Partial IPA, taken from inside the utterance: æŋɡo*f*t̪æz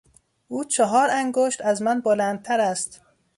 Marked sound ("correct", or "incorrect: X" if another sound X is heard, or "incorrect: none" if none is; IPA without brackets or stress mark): incorrect: ʃ